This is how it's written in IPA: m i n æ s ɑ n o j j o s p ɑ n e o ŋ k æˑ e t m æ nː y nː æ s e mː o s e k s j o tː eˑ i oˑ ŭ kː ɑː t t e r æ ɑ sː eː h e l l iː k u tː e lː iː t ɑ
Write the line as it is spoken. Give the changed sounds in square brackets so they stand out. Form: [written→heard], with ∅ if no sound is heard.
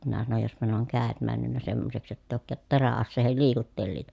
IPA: m i n æ s ɑ n o j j o s p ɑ n e o ŋ k æˑ e t m æ nː y nː æ s e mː o s e k s j o tː eˑ i oˑ ŭ kː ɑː t t e r æ ɑ sː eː h e l l iː k u tː e lː iː t ɑ